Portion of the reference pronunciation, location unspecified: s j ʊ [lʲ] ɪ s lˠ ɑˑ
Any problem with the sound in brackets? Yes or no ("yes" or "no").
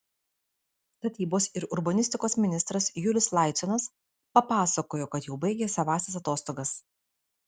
no